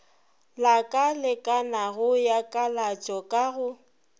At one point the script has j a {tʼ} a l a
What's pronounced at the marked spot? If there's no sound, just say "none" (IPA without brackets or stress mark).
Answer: kʼ